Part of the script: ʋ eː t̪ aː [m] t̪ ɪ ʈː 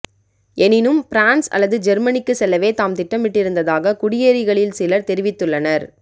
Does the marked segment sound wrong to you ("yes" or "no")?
no